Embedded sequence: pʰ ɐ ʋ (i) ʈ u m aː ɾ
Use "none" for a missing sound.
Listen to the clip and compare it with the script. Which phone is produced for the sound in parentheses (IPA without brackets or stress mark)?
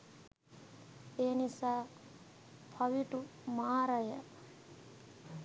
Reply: i